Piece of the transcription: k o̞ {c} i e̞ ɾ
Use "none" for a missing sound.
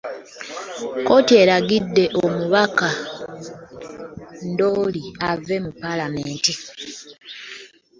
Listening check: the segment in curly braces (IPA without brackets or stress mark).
t